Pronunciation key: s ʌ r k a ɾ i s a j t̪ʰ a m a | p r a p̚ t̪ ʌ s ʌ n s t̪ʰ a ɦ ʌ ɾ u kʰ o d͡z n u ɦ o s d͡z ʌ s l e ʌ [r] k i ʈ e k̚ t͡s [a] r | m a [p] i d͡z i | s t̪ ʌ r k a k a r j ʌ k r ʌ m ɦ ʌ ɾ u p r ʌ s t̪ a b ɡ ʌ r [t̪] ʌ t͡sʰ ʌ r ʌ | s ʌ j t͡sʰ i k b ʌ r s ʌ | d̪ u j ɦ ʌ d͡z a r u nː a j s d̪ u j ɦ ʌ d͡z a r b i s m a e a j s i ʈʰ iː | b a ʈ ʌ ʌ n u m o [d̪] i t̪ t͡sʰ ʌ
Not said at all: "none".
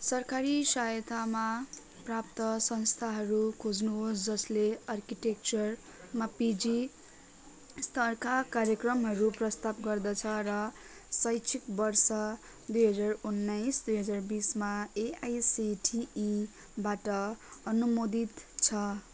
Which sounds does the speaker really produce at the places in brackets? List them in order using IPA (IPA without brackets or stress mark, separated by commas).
r, ʌ, p, d̪, d̪